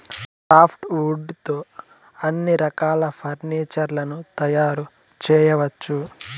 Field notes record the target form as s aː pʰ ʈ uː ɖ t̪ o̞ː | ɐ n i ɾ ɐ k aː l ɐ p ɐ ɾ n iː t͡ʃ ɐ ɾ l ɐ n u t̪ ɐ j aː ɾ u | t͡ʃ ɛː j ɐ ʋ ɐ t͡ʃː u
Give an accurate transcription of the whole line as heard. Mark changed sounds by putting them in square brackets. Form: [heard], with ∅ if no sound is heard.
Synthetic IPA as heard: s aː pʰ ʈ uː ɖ t̪ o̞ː | ɐ [nː] i ɾ ɐ k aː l ɐ [pʰ] ɐ ɾ n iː t͡ʃ ɐ ɾ l ɐ n u t̪ ɐ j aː ɾ u | t͡ʃ ɛː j ɐ ʋ ɐ t͡ʃː u